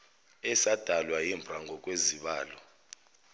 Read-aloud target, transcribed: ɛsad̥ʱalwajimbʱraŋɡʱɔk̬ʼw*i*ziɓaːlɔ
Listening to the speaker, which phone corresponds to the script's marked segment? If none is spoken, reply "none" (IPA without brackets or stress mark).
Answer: e